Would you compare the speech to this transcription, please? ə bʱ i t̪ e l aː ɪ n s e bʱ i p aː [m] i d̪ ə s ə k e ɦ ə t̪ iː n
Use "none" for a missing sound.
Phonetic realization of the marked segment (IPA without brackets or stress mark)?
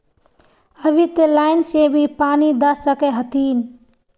n